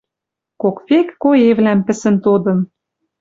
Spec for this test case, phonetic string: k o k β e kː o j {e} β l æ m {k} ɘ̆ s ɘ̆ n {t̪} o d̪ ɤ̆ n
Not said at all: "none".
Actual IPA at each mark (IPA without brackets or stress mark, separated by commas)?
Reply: e, p, t̪